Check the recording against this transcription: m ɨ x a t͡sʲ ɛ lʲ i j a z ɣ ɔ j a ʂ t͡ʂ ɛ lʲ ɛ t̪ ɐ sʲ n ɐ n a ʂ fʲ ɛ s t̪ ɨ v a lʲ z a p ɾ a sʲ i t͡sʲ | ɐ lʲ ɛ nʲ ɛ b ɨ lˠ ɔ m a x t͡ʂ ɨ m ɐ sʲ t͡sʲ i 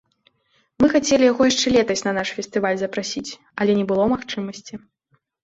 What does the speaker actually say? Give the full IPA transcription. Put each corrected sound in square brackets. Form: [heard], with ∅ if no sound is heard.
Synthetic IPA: m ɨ x a t͡sʲ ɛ lʲ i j a [∅] ɣ ɔ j a ʂ t͡ʂ ɛ lʲ ɛ t̪ ɐ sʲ n ɐ n a ʂ fʲ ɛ s t̪ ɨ v a lʲ z [ɐ] p ɾ a sʲ i t͡sʲ | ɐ lʲ ɛ nʲ ɛ b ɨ lˠ ɔ m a x t͡ʂ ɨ m ɐ sʲ t͡sʲ i